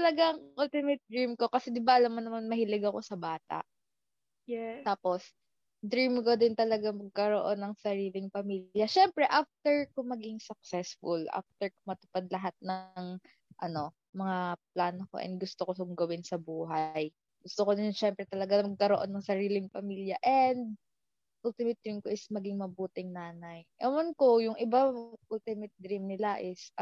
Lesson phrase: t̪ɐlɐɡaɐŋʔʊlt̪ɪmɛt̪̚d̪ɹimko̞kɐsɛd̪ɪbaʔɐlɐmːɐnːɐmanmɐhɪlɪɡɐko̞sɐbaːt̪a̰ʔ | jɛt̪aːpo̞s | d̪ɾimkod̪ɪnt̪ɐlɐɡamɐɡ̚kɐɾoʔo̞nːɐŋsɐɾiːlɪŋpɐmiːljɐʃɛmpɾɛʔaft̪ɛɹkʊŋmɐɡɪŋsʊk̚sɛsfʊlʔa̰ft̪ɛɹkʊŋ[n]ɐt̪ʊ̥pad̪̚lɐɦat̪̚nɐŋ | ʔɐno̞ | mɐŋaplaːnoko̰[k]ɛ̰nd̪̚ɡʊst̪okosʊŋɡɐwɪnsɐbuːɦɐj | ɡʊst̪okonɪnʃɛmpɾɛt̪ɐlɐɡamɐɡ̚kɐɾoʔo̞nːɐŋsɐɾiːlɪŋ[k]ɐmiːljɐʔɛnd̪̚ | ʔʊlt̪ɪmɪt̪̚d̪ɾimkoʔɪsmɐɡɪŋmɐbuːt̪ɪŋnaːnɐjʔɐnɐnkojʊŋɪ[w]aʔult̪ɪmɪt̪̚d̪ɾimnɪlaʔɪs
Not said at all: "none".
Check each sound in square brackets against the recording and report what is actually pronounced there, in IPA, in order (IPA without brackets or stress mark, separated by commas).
m, ʔ, p, b